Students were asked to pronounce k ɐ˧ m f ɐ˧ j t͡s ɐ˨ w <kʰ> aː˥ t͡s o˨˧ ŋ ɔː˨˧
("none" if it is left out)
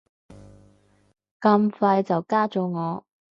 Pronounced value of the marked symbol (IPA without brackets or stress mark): k